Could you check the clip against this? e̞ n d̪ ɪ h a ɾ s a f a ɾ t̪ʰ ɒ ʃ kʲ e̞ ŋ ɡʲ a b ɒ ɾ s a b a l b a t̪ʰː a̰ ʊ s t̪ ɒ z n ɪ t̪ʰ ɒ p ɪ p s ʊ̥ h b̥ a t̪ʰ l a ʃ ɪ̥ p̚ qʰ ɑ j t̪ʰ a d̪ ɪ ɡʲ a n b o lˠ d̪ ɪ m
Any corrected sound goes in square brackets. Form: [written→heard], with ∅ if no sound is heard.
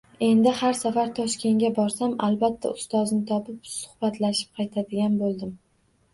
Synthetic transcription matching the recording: e̞ n d̪ ɪ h a ɾ s a f a ɾ t̪ʰ ɒ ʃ kʲ e̞ ŋ ɡʲ a b ɒ ɾ s a [b→m] a l b a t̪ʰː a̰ ʊ s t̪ ɒ z n ɪ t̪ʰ ɒ p ɪ p s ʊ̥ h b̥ a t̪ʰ l a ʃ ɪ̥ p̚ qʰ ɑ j t̪ʰ a d̪ ɪ ɡʲ a n b o lˠ d̪ ɪ m